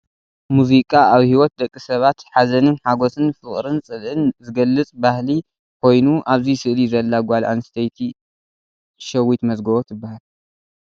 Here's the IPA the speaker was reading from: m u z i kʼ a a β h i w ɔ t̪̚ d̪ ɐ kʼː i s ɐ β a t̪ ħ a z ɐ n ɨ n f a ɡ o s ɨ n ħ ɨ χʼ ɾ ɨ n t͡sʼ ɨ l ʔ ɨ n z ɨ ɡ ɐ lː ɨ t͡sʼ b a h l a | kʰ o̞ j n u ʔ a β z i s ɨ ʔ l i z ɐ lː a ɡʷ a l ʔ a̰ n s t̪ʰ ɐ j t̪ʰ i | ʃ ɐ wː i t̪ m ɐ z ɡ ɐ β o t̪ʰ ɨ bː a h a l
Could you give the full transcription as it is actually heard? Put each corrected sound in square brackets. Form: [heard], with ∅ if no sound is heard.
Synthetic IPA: m u z i kʼ a a β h i w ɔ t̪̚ d̪ ɐ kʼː i s ɐ β a t̪ ħ a z ɐ n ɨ n [ħ] a ɡ o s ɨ n [f] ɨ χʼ ɾ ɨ n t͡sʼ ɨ l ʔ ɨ n z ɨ ɡ ɐ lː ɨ t͡sʼ b a h l [i] | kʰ o̞ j n u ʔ a β z i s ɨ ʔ l i z ɐ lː a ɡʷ a l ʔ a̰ n s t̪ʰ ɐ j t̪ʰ i | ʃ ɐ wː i t̪ m ɐ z ɡ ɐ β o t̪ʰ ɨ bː a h a l